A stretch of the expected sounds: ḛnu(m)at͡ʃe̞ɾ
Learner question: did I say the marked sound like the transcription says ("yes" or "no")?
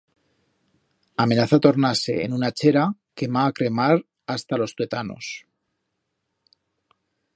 no